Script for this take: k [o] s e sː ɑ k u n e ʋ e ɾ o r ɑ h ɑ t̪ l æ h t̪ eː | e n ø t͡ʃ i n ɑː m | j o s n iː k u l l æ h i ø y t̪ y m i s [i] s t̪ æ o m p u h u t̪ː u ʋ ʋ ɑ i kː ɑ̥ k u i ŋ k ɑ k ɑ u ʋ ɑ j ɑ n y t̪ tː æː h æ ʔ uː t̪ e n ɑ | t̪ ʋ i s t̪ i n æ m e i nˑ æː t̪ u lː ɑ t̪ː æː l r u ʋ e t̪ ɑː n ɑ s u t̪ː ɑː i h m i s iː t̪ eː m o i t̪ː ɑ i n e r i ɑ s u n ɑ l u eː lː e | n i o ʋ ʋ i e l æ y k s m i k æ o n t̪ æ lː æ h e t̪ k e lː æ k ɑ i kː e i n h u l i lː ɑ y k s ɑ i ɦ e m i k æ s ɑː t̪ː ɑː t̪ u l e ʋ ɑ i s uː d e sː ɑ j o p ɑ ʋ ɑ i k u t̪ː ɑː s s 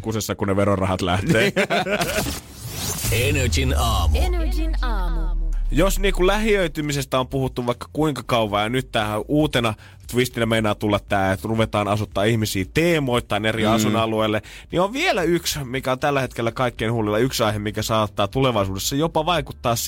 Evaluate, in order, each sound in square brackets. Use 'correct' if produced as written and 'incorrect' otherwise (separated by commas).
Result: incorrect, incorrect